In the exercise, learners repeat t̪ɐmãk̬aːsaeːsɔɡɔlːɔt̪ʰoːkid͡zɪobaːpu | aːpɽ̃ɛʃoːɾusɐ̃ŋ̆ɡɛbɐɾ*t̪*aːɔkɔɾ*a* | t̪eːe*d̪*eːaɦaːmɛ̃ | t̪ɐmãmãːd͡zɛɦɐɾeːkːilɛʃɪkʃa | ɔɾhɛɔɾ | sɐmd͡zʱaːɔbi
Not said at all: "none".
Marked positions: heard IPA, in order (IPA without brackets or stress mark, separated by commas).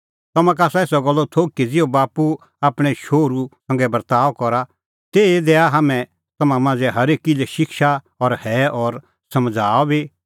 t̪, a, d̪